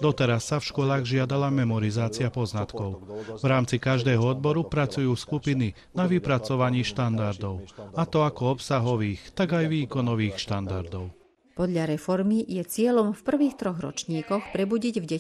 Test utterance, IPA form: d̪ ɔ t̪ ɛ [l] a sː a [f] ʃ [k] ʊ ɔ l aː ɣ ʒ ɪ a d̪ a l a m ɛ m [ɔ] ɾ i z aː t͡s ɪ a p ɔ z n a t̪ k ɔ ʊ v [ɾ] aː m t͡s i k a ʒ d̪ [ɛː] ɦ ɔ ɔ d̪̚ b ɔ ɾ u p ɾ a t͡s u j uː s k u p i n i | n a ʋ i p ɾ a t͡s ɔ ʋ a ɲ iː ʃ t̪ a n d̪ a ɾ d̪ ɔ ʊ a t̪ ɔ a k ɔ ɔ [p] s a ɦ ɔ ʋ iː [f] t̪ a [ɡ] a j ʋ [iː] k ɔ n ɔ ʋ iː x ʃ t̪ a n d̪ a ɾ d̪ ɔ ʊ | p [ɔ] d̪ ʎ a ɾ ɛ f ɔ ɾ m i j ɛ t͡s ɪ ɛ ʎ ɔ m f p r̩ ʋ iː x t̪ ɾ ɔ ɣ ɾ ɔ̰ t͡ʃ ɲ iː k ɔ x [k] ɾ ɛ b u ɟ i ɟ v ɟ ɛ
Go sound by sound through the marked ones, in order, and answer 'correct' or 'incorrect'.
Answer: incorrect: ɾ, correct, correct, correct, correct, correct, correct, incorrect: x, correct, correct, correct, incorrect: p

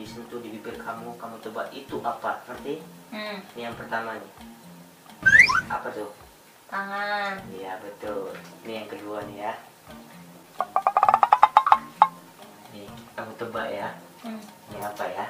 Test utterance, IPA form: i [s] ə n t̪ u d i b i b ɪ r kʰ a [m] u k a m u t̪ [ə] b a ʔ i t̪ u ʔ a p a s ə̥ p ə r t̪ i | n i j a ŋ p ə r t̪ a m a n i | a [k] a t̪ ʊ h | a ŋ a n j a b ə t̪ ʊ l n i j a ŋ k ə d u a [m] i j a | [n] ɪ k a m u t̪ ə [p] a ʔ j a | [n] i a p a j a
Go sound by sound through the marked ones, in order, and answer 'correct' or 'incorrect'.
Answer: correct, correct, correct, incorrect: p, incorrect: n, correct, incorrect: b, correct

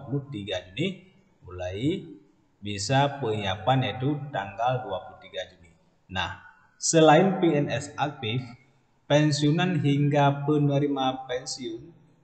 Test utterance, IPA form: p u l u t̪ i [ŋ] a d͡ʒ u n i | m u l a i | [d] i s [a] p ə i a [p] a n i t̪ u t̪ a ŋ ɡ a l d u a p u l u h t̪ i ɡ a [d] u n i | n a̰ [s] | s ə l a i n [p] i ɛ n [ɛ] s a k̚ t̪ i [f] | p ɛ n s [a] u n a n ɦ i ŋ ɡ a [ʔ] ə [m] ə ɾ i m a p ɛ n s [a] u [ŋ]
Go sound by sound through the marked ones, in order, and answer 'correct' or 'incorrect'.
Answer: incorrect: ɡ, incorrect: b, correct, correct, incorrect: d͡ʒ, incorrect: h, correct, correct, correct, incorrect: i, incorrect: p, incorrect: n, incorrect: i, incorrect: n

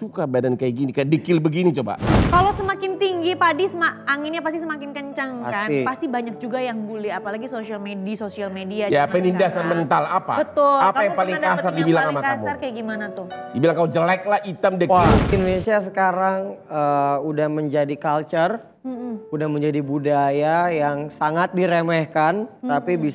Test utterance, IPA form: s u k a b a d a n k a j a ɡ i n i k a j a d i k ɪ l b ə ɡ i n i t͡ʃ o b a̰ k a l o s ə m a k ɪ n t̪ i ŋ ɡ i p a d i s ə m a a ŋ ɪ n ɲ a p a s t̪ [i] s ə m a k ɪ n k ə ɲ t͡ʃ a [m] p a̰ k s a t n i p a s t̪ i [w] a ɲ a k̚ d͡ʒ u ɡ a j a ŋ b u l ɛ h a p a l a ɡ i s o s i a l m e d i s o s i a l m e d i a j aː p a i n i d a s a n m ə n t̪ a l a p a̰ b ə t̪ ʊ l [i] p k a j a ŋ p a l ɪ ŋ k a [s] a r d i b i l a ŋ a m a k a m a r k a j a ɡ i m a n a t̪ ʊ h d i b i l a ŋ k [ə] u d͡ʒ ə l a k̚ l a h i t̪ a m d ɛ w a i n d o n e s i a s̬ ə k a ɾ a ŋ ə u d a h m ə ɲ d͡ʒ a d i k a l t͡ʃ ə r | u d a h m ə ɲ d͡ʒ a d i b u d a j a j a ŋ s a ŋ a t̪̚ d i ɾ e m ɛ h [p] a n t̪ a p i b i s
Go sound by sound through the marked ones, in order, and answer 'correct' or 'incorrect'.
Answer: correct, incorrect: ŋ, incorrect: b, incorrect: a, correct, incorrect: a, incorrect: k

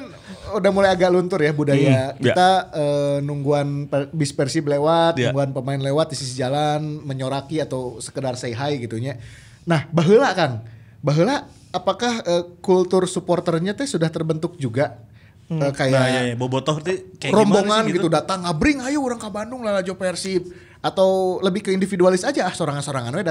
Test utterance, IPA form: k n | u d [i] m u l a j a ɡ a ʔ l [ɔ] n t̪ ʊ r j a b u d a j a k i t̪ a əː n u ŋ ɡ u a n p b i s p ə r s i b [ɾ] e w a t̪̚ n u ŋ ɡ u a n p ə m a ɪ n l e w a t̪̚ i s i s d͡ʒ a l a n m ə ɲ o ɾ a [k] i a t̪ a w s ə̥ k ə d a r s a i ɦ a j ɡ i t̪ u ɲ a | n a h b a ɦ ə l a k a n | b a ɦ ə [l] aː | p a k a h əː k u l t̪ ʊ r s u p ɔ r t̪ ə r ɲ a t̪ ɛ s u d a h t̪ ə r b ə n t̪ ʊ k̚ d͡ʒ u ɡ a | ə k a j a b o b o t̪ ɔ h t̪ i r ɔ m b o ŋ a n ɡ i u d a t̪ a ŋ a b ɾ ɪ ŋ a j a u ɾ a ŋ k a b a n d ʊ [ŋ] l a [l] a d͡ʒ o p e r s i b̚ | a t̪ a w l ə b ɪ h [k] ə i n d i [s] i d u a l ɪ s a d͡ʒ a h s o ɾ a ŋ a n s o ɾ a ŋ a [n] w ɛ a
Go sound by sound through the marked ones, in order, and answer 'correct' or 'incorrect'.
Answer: incorrect: a, incorrect: u, incorrect: l, correct, correct, correct, correct, correct, incorrect: f, correct

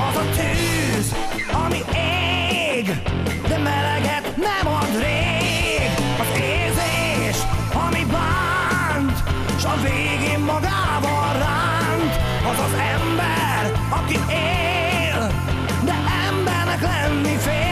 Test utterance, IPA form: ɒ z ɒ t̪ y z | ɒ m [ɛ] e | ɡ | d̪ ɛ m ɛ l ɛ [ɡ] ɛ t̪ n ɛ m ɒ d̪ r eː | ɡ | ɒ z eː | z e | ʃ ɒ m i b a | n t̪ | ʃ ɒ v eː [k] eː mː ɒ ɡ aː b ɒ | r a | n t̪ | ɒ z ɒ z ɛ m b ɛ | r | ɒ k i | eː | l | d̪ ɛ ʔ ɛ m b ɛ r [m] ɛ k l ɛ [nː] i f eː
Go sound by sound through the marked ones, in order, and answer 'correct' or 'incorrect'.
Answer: incorrect: i, correct, incorrect: ɡ, incorrect: n, correct

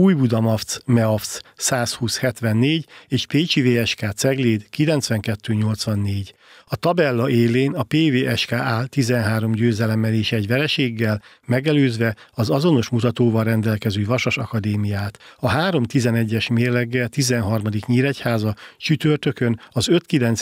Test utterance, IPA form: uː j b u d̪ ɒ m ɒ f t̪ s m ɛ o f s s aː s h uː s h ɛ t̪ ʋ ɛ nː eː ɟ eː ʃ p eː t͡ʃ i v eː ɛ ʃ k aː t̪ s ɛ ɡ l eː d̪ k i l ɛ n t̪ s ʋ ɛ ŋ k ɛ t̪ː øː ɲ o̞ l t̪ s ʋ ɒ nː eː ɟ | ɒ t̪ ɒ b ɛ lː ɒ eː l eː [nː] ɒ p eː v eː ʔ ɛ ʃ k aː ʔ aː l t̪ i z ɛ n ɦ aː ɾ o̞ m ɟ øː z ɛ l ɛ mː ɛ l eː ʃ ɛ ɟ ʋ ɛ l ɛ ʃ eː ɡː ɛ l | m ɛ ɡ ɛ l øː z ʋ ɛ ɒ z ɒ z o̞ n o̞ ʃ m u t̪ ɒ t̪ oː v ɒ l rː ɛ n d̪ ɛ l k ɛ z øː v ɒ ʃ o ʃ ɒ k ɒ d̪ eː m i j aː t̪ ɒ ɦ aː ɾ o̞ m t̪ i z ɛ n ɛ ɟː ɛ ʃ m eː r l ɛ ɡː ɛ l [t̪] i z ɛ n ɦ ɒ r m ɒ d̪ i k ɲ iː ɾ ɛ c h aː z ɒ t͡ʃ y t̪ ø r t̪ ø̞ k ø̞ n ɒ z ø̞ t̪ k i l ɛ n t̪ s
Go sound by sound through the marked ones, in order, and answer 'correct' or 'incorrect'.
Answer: incorrect: n, correct

